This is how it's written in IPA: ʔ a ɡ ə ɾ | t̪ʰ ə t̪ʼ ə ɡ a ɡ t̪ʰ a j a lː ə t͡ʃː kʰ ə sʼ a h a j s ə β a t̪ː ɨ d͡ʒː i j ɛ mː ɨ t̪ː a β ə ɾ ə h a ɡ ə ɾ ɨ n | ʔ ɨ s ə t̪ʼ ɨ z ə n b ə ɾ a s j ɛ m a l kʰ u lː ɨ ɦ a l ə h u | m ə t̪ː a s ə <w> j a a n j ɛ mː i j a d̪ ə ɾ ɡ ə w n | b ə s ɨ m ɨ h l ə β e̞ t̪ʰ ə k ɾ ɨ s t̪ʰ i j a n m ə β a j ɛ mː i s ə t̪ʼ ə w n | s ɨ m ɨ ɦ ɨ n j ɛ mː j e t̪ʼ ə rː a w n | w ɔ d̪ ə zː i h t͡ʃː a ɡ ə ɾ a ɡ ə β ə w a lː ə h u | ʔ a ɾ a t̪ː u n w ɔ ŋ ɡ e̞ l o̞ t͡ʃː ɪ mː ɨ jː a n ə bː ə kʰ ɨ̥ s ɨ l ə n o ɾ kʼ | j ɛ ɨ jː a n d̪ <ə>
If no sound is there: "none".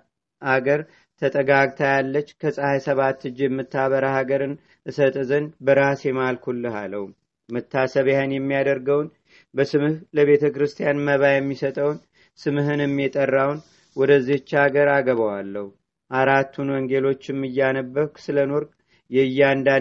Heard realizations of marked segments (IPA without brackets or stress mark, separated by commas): β, a